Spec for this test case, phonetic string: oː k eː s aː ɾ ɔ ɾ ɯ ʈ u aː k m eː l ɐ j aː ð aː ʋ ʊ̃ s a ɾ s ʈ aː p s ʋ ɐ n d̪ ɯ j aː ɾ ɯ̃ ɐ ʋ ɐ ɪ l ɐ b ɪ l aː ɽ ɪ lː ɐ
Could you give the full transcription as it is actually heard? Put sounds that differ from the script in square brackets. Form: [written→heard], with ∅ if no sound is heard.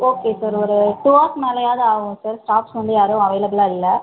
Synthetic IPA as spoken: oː k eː s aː ɾ ɔ ɾ ɯ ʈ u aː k m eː l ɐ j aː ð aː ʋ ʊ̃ s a ɾ s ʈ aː p s ʋ ɐ n d̪ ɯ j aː ɾ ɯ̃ ɐ ʋ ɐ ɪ l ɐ b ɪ l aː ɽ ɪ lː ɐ